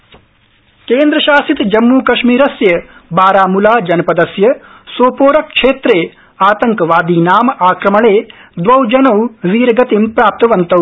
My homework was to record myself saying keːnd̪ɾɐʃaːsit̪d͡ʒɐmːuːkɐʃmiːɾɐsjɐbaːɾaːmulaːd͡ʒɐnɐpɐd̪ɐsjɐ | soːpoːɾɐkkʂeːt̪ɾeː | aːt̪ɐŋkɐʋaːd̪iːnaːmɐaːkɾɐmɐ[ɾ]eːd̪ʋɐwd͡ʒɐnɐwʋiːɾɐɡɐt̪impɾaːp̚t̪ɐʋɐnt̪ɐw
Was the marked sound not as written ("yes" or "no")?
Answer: yes